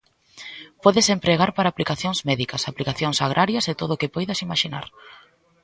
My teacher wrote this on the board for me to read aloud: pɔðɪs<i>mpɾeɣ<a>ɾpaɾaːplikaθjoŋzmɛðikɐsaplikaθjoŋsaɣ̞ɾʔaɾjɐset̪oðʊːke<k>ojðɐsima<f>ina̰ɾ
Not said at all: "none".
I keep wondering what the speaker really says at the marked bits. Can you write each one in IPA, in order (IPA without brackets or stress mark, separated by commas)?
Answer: e, a, p, ʃ